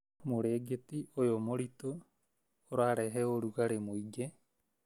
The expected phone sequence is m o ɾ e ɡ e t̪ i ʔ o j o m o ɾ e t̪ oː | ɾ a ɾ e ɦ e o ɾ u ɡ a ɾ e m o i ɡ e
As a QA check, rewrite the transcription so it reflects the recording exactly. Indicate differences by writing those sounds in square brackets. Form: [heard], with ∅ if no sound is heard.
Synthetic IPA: m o ɾ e ɡ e t̪ i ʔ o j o m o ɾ [i] t̪ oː | ɾ a ɾ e ɦ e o ɾ u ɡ a ɾ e m o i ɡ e